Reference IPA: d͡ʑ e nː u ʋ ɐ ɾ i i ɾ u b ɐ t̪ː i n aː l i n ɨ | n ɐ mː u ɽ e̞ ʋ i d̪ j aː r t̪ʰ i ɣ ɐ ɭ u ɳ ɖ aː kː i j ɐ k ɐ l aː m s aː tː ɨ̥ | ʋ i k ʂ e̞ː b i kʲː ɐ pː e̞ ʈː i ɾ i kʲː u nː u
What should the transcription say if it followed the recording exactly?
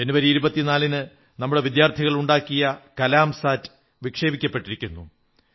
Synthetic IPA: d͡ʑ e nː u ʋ ɐ ɾ i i ɾ u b ɐ t̪ː i n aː l i n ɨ | n ɐ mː u ɽ e̞ ʋ i d̪ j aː r t̪ʰ i ɣ ɐ ɭ u ɳ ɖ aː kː i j ɐ k ɐ l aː m s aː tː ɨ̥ | ʋ i k ʂ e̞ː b i kʲː ɐ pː e̞ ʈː i ɾ i kʲː u nː u